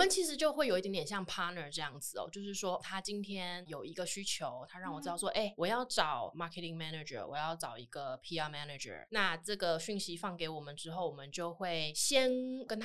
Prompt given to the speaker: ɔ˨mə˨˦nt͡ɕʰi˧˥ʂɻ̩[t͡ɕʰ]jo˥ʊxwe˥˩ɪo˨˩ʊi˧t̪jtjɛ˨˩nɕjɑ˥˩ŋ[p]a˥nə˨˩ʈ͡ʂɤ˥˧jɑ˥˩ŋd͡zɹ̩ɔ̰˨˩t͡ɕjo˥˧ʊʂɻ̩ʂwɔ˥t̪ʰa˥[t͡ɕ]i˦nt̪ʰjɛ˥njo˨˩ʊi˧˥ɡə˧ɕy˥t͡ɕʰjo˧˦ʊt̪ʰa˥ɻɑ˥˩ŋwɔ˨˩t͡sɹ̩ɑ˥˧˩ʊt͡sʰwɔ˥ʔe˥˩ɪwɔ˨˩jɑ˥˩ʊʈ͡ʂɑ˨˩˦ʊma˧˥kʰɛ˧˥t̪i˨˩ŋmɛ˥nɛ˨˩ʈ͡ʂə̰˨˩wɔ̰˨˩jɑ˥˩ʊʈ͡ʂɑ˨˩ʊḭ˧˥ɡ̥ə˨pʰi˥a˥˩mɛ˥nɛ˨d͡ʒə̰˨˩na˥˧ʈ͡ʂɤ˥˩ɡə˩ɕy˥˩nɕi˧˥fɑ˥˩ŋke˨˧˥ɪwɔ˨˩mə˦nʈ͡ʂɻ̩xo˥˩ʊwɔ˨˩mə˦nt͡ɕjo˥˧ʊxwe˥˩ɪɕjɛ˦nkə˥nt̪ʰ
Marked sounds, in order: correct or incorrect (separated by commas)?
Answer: incorrect, incorrect, correct